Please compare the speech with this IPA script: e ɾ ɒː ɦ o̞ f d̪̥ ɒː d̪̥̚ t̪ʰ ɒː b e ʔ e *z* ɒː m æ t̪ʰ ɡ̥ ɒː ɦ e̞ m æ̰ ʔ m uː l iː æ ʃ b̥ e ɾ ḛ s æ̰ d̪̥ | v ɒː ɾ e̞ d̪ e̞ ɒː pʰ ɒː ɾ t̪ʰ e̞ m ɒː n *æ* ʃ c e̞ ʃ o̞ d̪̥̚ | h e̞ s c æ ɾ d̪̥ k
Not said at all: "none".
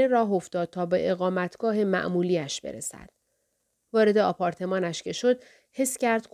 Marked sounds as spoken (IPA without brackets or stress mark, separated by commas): ɣ, æ